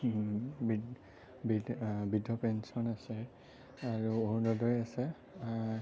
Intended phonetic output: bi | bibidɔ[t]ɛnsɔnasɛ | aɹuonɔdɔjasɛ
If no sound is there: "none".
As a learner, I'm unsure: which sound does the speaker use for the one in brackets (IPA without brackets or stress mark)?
p